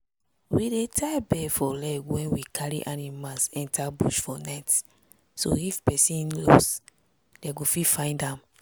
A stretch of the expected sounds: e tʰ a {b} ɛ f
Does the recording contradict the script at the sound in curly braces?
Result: no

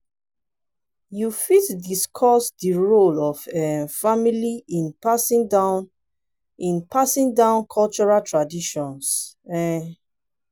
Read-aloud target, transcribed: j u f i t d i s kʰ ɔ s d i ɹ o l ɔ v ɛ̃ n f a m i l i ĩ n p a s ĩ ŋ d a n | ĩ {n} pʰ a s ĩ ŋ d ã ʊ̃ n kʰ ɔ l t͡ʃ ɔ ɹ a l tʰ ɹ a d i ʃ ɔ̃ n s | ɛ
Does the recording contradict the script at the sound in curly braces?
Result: no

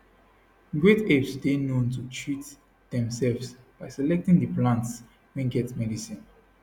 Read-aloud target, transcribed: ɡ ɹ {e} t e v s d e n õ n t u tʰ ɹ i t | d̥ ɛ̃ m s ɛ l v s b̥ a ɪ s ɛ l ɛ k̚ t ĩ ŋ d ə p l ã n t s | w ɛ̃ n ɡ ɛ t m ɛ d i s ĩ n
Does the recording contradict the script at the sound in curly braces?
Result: no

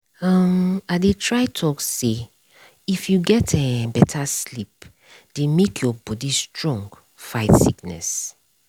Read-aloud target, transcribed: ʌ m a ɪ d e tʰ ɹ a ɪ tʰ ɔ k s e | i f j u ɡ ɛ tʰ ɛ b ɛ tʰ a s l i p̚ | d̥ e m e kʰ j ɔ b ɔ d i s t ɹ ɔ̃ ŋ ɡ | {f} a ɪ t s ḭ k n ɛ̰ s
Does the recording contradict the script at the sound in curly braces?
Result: no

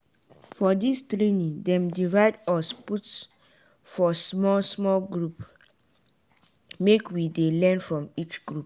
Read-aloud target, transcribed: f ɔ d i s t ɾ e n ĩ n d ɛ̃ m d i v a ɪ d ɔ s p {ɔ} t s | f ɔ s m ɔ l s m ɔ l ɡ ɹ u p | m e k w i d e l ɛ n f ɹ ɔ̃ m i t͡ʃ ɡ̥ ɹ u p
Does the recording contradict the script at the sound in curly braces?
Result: yes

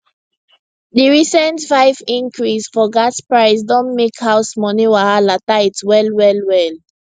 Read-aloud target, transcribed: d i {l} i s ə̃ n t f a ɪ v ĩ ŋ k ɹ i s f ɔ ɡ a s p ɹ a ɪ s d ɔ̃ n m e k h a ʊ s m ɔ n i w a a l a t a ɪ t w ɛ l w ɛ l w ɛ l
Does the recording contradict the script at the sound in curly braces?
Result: yes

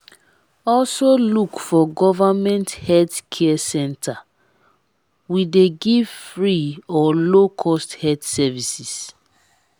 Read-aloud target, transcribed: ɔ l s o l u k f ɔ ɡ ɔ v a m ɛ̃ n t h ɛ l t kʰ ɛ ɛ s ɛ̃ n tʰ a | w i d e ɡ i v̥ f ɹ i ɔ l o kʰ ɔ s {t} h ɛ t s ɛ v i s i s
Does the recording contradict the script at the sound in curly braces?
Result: no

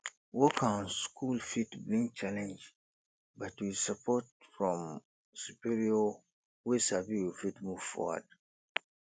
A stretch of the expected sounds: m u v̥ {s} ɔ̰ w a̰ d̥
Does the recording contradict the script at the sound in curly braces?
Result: yes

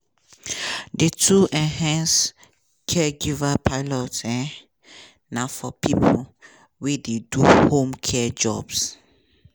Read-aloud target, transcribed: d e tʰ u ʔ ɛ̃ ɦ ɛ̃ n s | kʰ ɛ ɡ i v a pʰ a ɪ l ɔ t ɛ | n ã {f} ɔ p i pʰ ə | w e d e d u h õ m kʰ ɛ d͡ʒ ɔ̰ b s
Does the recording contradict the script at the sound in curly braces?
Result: no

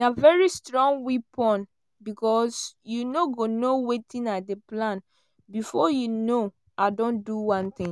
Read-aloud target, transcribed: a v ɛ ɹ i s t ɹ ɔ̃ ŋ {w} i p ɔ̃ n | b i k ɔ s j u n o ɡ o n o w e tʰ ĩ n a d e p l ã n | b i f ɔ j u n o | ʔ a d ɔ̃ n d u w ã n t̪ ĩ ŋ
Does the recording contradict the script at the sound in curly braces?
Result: no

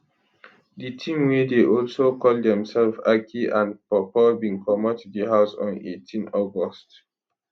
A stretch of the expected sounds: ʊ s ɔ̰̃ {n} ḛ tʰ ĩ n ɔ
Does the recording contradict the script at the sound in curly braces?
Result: no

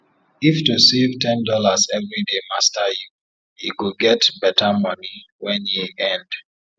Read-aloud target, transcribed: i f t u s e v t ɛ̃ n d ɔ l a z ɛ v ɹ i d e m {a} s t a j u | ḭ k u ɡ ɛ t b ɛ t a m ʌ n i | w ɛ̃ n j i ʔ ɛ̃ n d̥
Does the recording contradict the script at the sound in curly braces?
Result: no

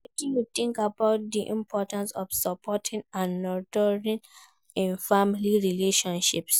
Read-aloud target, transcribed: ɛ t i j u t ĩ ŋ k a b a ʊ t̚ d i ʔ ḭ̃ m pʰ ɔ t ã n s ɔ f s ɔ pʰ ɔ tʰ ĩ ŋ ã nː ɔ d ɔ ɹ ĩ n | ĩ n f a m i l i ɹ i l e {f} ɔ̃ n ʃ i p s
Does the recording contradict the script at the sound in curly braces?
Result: yes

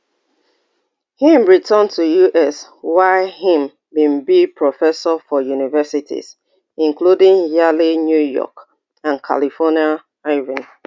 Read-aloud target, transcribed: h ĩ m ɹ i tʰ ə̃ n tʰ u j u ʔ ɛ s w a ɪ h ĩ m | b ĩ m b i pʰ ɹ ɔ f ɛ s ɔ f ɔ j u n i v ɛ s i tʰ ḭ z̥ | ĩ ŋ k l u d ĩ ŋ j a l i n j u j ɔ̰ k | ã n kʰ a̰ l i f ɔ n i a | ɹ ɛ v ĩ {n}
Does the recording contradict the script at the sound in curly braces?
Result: no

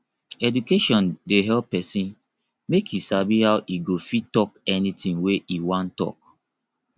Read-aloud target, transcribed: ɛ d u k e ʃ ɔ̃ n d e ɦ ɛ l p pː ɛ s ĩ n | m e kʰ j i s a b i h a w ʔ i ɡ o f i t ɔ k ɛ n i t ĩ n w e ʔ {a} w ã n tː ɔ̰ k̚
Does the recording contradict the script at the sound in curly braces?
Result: yes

